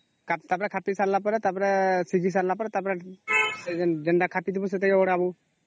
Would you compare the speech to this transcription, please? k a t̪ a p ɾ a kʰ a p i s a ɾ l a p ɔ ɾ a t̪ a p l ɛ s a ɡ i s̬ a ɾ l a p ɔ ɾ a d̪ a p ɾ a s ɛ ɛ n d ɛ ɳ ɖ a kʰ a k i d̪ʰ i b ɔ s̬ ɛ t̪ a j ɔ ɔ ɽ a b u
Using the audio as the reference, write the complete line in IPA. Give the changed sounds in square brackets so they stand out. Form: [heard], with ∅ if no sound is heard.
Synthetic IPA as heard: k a t̪ a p ɾ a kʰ a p i s a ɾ l a p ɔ ɾ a t̪ a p [ɾ] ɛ s [i] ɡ i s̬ a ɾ l a p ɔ ɾ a [t̪] a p ɾ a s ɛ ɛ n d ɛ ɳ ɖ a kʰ a [p] i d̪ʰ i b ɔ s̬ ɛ t̪ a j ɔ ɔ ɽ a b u